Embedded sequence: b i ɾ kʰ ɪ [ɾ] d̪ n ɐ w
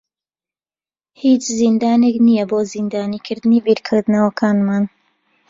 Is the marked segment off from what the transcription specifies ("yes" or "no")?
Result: no